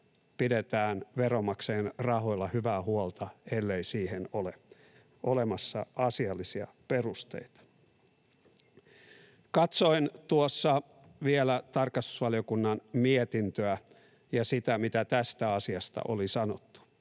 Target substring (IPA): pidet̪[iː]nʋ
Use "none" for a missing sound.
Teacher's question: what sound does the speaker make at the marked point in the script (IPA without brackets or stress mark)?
æː